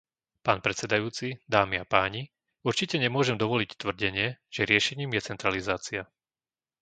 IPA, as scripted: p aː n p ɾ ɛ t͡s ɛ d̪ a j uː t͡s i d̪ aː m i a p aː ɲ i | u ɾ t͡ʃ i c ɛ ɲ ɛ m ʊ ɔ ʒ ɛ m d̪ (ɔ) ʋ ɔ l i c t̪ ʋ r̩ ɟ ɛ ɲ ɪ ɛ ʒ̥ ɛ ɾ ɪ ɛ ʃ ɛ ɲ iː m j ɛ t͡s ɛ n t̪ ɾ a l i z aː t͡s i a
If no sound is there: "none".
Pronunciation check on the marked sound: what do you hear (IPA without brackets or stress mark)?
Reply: ɔ